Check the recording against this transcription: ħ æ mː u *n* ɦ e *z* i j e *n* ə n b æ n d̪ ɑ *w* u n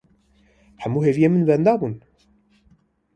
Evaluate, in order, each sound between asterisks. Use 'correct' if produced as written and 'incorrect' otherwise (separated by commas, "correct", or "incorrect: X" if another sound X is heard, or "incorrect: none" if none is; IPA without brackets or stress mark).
incorrect: none, incorrect: v, incorrect: m, incorrect: b